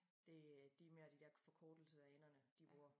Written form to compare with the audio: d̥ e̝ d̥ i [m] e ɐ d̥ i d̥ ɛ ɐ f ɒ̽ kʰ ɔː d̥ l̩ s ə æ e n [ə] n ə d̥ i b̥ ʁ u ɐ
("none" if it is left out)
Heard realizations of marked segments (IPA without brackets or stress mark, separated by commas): m, ɐ